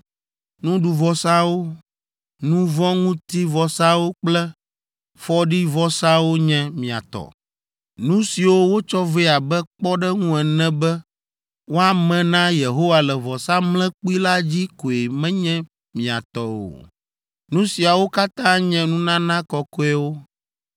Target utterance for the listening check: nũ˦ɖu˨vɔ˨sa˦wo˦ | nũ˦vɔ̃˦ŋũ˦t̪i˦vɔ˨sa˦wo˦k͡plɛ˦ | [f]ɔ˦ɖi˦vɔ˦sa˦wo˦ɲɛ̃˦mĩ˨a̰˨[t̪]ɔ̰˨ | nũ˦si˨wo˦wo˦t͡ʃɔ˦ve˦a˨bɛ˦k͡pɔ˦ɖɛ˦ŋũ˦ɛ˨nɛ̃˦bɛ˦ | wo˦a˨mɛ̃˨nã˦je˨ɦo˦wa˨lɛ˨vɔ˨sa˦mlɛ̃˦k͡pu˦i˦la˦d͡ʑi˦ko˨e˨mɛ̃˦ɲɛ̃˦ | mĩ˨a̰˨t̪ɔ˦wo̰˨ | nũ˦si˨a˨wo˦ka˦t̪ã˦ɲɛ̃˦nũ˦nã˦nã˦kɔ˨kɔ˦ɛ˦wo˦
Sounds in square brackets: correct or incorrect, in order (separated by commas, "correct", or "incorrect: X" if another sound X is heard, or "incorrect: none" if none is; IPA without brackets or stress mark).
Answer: correct, correct